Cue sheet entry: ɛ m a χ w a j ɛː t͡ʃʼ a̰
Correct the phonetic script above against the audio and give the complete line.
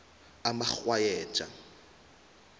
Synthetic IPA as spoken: a m a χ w a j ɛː t͡ʃʼ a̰